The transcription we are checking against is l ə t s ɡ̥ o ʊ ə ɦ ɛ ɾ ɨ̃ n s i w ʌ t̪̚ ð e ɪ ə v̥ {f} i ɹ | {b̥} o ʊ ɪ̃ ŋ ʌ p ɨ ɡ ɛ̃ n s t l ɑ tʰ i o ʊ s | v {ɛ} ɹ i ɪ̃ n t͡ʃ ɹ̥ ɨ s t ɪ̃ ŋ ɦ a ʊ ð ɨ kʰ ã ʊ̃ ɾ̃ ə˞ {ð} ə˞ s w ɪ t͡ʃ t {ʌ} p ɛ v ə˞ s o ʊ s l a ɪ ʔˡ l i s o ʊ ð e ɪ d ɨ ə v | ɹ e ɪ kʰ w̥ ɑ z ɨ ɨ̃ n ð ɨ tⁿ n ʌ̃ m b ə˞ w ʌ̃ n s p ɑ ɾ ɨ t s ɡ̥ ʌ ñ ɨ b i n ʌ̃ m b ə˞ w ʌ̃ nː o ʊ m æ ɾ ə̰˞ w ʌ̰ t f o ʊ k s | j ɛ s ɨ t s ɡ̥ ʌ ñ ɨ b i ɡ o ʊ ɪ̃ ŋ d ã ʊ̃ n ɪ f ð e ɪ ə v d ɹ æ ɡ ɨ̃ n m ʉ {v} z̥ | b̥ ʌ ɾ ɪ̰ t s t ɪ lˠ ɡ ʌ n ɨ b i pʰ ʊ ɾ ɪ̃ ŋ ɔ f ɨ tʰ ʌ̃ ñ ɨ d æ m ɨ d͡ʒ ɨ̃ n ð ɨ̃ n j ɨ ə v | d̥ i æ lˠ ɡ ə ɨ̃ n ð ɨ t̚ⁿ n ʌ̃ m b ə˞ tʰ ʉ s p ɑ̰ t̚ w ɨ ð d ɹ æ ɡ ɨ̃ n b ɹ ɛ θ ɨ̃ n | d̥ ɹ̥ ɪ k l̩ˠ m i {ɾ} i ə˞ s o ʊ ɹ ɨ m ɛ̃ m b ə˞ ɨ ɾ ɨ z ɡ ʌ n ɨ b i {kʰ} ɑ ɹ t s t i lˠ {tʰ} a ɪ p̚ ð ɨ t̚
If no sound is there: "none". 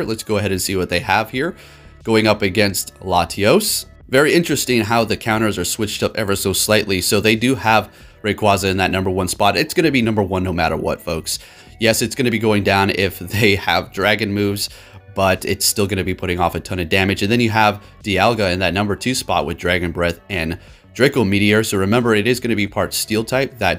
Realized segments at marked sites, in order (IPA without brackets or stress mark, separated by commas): h, ɡ̥, ɛ, z, ʌ, v, ɾ, pʰ, tʰ